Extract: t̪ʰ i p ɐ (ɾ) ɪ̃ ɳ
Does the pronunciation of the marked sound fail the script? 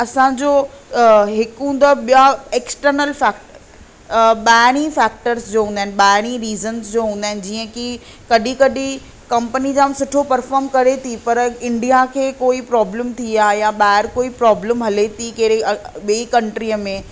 no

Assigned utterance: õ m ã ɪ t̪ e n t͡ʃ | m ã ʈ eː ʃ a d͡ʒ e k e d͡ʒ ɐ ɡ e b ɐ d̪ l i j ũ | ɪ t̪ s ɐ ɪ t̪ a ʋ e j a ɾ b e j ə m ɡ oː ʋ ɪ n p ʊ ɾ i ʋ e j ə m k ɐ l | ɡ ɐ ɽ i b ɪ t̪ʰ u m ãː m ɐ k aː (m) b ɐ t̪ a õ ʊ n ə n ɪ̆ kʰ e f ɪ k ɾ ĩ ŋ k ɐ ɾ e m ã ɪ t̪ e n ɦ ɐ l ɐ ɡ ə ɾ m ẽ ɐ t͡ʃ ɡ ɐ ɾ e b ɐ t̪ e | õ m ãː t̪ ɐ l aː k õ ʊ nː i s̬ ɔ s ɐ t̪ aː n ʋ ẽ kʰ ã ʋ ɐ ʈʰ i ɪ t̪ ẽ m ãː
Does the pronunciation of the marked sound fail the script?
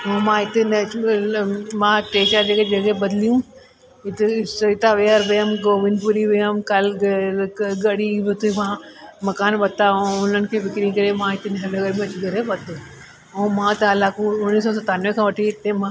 yes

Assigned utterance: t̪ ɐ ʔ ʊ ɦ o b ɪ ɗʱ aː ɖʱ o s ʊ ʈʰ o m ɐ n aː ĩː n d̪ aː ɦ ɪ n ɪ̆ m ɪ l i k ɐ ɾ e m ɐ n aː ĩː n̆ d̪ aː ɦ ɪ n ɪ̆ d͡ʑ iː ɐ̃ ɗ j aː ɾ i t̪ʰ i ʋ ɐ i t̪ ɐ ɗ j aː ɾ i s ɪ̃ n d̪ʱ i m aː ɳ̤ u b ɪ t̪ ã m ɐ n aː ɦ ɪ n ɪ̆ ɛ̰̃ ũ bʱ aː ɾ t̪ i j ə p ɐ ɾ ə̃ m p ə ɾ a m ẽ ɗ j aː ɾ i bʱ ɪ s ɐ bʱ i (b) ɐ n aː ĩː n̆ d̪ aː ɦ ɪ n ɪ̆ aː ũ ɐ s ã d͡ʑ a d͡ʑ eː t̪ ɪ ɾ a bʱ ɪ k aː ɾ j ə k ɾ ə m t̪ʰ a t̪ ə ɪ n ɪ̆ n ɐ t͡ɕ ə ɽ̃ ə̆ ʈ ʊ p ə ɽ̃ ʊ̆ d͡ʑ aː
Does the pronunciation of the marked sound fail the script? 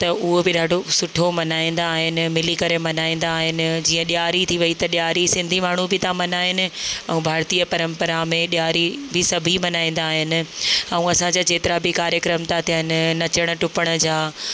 yes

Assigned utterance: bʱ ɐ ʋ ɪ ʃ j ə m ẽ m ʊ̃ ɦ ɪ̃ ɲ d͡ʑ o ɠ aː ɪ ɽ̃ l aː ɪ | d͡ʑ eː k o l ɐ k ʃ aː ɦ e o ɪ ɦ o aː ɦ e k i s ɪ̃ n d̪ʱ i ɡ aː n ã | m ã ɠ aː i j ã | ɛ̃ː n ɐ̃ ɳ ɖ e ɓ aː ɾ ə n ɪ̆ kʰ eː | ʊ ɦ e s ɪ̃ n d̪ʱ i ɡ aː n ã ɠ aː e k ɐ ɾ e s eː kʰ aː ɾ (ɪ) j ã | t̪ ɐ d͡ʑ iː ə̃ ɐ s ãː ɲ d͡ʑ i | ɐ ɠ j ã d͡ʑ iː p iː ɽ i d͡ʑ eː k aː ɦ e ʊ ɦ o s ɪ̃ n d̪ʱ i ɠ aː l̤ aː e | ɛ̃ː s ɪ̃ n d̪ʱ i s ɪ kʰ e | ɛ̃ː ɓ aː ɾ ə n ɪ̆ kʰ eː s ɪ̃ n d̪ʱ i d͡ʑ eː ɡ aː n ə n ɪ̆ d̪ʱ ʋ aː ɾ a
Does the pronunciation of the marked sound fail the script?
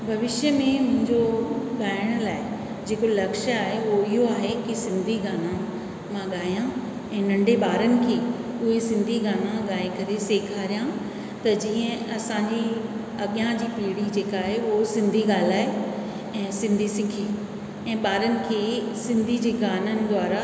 yes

